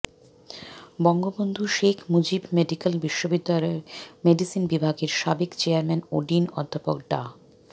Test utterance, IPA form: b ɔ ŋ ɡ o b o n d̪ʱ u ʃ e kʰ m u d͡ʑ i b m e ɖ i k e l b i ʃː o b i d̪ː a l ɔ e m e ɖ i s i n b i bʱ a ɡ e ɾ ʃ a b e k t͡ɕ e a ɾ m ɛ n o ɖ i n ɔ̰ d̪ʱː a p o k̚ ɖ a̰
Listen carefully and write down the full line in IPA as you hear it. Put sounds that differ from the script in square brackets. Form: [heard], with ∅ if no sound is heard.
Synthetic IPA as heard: b ɔ ŋ ɡ o b o n d̪ʱ u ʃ e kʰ m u d͡ʑ i b m e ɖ i k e l b i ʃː o b i d̪ː a l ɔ e m e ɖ i s i n b i bʱ a ɡ e ɾ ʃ a b e k t͡ɕ e a ɾ m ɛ n o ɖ i n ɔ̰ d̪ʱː a p o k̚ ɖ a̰